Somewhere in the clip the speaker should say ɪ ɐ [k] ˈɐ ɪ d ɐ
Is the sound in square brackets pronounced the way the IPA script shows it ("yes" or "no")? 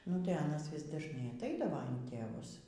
no